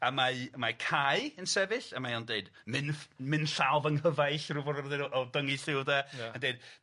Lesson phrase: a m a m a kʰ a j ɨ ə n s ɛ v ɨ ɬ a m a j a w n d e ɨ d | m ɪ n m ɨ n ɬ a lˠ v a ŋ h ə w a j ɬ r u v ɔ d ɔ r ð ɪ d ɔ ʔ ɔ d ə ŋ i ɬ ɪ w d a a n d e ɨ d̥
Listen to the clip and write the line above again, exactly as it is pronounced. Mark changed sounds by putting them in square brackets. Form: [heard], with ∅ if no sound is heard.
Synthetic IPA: a m a m a kʰ a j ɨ ə n s ɛ v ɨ ɬ a m a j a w n d e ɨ d | m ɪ n m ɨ n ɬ a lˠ v [ə] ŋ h ə [v] a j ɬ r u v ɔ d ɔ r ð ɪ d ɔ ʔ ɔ d ə ŋ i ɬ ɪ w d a a n d e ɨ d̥